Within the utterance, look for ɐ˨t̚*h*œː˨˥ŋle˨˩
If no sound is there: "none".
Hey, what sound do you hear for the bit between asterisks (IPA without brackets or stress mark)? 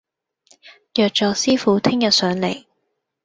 s